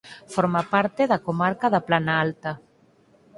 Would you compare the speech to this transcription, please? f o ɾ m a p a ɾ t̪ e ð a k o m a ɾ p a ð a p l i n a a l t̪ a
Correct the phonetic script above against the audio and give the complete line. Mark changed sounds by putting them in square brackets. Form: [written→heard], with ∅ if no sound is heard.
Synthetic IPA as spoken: f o ɾ m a p a ɾ t̪ e ð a k o m a ɾ [p→k] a ð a p l [i→a] n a a l t̪ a